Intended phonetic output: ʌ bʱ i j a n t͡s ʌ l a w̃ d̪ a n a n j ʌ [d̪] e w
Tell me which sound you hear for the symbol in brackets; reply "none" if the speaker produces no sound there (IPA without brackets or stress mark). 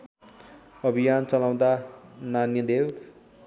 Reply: d̪